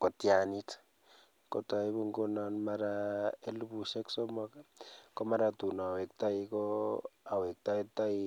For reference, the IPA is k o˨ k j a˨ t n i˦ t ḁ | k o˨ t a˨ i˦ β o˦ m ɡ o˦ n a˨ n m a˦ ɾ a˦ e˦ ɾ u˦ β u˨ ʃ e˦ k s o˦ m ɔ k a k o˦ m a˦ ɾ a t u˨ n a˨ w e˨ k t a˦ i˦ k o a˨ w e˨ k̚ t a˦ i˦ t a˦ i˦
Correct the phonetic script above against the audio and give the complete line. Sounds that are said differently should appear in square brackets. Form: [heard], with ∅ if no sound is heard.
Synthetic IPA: k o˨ [t] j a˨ [∅] n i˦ t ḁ | k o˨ t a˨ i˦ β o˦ [ŋ] ɡ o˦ n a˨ n m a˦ ɾ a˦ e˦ [l] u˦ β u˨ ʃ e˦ k s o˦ m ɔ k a k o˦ m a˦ ɾ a t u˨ n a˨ w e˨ k t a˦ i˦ k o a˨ w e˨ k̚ t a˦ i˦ t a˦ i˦